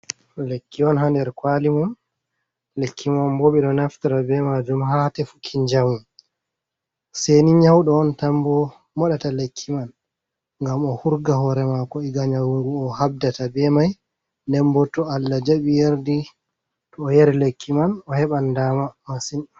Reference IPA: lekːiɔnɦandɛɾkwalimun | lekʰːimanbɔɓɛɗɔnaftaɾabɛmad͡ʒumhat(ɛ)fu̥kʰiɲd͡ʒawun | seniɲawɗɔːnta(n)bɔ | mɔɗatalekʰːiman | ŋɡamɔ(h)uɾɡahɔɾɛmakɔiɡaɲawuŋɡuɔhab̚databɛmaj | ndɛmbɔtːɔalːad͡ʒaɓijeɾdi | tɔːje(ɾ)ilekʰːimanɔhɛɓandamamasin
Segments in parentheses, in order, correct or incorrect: correct, incorrect: m, correct, correct

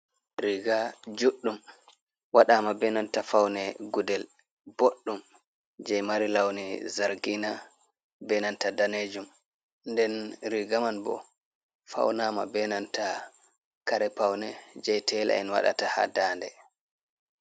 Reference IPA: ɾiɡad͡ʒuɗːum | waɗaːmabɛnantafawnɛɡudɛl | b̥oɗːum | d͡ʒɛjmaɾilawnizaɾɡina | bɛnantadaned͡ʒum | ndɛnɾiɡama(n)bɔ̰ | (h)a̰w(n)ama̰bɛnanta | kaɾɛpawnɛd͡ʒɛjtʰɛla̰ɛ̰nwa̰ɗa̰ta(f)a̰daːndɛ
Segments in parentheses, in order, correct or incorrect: correct, incorrect: f, correct, incorrect: h

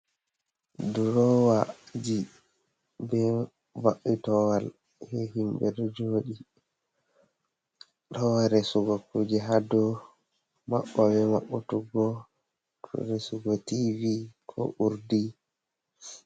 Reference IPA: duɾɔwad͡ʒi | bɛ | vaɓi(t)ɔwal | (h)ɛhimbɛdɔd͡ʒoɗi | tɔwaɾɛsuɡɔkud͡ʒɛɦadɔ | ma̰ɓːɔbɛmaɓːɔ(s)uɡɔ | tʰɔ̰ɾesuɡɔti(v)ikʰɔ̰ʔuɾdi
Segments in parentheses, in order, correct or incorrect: correct, correct, incorrect: t, correct

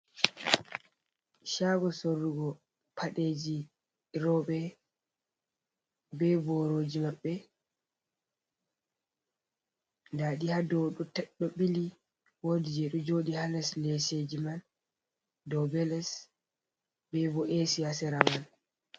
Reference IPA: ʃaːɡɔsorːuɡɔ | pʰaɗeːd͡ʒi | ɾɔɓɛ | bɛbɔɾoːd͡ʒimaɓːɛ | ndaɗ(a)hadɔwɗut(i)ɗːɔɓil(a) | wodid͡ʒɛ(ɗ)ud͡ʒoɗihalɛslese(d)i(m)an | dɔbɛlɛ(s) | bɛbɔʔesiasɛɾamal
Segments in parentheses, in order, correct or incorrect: incorrect: i, incorrect: ɛ, incorrect: i, correct, incorrect: d͡ʒ, correct, correct

